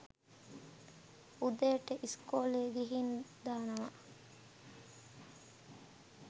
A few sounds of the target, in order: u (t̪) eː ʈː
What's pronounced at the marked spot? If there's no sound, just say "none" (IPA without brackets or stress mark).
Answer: d̪